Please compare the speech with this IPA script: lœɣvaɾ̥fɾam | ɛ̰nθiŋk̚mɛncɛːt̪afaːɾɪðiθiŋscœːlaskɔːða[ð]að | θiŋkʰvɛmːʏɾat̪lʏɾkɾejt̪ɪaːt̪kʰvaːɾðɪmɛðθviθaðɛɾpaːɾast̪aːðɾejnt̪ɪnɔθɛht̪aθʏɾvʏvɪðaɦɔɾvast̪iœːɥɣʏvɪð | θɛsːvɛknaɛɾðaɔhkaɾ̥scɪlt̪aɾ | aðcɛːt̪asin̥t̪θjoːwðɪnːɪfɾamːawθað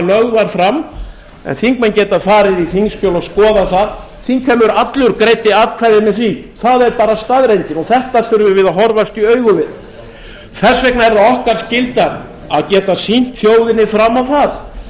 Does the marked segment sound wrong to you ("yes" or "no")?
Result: yes